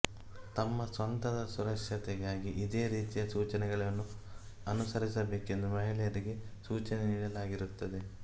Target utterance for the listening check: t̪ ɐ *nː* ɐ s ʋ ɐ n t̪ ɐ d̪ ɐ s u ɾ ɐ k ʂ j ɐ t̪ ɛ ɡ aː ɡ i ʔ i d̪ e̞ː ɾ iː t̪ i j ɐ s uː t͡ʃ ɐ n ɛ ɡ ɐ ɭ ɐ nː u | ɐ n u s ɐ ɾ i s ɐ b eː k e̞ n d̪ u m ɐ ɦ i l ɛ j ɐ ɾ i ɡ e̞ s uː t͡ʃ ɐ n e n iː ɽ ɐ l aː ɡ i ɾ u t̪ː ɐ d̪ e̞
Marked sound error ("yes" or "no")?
yes